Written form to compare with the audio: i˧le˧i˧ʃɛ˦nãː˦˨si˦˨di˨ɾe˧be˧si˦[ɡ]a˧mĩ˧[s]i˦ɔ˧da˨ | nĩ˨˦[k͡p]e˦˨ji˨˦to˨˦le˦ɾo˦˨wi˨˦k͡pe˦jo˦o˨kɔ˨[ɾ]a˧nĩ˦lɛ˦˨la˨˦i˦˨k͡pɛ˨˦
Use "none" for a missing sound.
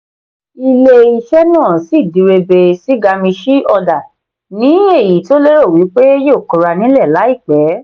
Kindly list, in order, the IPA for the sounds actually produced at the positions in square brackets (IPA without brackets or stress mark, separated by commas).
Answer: ɡ, ʃ, none, ɾ